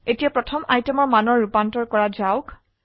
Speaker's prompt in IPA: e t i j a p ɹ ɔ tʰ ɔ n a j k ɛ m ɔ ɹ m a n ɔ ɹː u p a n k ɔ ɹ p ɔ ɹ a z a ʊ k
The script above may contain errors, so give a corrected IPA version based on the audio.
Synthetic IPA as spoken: e t i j a p ɹ ɔ tʰ ɔ m a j t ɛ m ɔ ɹ m a n ɔ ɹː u p a n t ɔ ɹ k ɔ ɹ a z a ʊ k